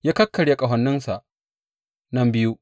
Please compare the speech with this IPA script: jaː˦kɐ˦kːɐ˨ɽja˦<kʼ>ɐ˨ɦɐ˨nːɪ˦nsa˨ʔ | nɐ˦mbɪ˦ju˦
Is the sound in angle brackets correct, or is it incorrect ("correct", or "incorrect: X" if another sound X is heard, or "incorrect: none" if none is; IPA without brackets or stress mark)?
correct